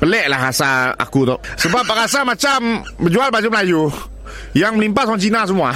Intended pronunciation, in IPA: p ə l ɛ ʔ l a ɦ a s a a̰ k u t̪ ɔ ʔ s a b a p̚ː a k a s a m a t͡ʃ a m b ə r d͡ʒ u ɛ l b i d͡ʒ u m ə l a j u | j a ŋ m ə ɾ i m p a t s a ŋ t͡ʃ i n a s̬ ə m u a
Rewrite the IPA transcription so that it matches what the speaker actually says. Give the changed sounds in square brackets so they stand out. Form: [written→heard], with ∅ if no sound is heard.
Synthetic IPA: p ə l ɛ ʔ l a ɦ a s a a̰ k u t̪ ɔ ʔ s [a→ə] b a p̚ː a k a s a m a t͡ʃ a m b ə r d͡ʒ u [ɛ→a] l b [i→a] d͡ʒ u m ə l a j u | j a ŋ m ə [ɾ→l] i m p a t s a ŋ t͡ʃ i n a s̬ ə m u a